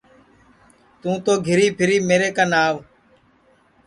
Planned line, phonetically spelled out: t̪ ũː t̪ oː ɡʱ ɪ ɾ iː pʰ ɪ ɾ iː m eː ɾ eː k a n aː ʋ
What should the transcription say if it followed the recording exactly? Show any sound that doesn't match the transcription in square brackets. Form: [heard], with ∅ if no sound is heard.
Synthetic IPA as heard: t̪ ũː t̪ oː ɡʱ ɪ ɾ iː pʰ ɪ ɾ iː m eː ɾ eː k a n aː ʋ